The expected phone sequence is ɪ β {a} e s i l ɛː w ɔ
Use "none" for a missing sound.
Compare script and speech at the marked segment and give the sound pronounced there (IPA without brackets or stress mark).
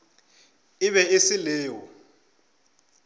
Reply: ɛ